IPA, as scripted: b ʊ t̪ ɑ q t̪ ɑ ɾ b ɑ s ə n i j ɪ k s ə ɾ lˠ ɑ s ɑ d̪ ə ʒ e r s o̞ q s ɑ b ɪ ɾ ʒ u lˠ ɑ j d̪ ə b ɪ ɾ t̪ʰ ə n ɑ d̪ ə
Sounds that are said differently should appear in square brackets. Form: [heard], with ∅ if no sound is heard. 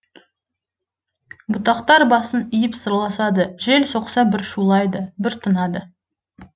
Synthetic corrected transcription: b ʊ t̪ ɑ q t̪ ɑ ɾ b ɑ s ə n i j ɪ [p] s ə ɾ lˠ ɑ s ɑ d̪ ə ʒ e [l] s o̞ q s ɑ b ɪ ɾ [ʃ] u lˠ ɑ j d̪ ə b ɪ ɾ t̪ʰ ə n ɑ d̪ ə